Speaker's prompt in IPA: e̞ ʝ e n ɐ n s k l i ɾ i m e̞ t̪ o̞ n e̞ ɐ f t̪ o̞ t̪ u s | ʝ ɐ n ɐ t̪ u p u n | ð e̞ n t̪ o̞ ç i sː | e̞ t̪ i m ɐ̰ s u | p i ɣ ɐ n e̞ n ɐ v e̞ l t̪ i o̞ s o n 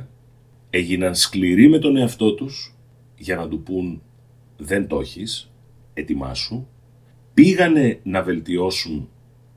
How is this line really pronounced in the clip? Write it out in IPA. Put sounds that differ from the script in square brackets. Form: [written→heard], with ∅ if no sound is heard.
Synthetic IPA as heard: e̞ ʝ [e→i] n ɐ n s k l i ɾ i m e̞ t̪ o̞ n e̞ ɐ f t̪ o̞ t̪ u s | ʝ ɐ n ɐ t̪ u p u n | ð e̞ n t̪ o̞ ç i [sː→s] | e̞ t̪ i m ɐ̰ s u | p i ɣ ɐ n e̞ n ɐ v e̞ l t̪ i o̞ s [o→u] n